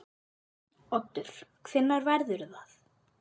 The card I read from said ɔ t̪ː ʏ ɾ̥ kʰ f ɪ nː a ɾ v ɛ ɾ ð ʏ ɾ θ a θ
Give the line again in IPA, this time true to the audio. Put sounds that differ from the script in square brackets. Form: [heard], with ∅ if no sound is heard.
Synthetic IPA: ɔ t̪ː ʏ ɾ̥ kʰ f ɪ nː a ɾ v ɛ ɾ ð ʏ ɾ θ a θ